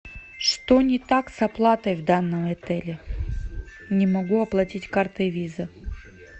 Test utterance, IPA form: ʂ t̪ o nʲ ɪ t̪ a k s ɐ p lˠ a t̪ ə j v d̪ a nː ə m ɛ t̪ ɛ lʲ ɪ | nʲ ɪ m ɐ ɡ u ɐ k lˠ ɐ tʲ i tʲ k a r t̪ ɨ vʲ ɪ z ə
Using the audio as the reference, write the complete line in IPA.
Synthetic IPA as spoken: ʂ t̪ o nʲ ɪ t̪ a k s ɐ p lˠ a t̪ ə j v d̪ a nː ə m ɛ t̪ ɛ lʲ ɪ | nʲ ɪ m ɐ ɡ u ɐ p lˠ ɐ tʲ i tʲ k a r t̪ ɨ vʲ i z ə